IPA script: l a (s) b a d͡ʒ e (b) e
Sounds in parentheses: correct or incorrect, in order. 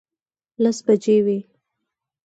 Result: correct, incorrect

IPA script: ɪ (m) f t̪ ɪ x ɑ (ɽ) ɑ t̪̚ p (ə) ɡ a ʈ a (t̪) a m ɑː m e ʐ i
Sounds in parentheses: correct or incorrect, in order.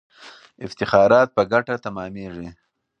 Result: incorrect, incorrect, correct, correct

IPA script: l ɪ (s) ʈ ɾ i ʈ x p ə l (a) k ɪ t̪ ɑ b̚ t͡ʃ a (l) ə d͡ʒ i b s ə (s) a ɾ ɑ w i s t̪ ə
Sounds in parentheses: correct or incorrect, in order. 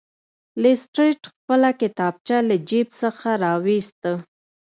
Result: correct, correct, correct, incorrect

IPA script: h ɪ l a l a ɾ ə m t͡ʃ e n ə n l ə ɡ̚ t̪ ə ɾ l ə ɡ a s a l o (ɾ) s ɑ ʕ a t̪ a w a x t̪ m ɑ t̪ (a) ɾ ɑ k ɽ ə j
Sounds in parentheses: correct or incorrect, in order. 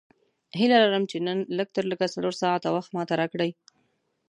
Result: correct, correct

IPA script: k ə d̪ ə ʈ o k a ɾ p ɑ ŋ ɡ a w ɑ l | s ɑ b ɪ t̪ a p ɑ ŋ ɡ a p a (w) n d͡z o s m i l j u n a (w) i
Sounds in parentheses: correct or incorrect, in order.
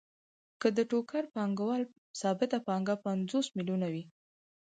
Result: incorrect, correct

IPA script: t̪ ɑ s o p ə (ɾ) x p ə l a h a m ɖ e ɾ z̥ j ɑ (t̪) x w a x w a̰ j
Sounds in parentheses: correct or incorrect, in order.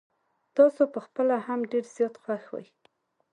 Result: incorrect, correct

